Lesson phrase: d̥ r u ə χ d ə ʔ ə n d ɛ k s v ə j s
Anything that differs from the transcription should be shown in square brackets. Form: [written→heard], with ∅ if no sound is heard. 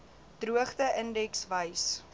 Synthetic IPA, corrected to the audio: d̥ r u ə χ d ə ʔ ə n d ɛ k s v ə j s